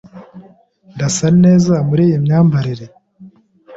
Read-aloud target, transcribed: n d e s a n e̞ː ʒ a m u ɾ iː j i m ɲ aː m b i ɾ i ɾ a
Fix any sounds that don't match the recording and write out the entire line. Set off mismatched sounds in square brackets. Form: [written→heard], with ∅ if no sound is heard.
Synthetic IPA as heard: n d [e→a] s a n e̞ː [ʒ→z] a m u ɾ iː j i m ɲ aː m b [i→a] ɾ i ɾ [a→e]